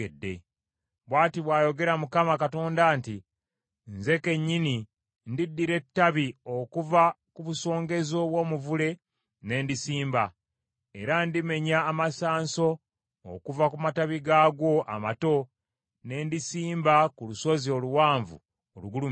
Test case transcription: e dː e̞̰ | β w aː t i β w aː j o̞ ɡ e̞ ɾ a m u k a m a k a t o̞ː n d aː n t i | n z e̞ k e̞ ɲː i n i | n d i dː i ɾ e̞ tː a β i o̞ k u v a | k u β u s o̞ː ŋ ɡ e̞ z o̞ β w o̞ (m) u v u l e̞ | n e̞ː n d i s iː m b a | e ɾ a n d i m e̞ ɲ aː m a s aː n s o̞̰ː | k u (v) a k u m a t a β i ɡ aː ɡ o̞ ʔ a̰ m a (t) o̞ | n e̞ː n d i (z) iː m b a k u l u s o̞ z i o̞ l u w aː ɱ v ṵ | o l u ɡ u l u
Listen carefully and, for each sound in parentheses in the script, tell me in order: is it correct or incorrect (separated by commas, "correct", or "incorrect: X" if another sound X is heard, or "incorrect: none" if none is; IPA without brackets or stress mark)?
correct, correct, correct, incorrect: s